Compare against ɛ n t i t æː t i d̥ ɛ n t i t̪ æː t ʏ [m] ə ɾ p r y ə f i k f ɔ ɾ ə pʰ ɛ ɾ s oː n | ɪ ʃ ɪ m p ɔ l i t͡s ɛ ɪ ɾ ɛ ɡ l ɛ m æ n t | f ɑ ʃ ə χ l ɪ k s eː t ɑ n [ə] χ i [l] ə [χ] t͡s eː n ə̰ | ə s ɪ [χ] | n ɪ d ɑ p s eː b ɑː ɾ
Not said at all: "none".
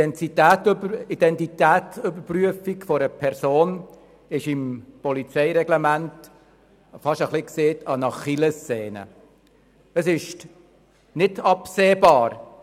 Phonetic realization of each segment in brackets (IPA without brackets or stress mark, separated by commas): b, ɑ, l, s, ʃ